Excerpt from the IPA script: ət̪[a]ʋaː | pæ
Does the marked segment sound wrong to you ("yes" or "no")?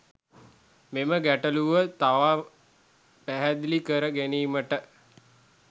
no